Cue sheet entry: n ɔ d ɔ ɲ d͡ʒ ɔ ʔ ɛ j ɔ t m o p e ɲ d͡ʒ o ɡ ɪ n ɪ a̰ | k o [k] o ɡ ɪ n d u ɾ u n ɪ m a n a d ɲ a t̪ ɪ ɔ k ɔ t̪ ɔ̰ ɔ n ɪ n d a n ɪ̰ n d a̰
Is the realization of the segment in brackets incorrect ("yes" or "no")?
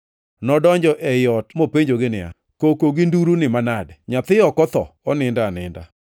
no